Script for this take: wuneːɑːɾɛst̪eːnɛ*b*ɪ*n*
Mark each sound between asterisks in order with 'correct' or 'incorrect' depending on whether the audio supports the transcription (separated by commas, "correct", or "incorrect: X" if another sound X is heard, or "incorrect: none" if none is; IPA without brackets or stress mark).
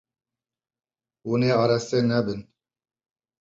correct, correct